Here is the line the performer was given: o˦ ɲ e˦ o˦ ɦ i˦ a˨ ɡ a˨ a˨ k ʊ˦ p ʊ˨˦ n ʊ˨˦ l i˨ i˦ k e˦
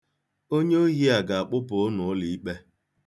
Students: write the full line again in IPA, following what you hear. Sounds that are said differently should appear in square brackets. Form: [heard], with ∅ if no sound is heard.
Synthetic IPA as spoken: o˦ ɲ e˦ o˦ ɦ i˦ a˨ ɡ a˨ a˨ [k͡p] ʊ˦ p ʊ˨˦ n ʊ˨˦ l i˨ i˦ [k͡p] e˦